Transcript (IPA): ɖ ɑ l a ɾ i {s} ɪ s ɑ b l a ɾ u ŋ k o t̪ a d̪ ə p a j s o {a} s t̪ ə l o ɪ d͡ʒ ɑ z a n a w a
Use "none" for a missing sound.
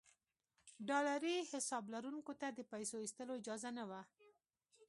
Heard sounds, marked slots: h, i

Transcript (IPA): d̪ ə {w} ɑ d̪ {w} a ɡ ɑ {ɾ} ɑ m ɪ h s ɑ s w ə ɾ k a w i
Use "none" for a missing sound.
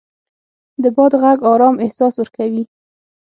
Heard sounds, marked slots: b, ɣ, ɾ

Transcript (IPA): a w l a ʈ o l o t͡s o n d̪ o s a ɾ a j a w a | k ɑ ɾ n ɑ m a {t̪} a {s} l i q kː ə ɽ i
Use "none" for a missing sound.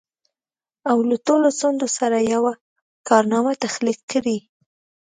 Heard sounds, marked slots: t̪, x

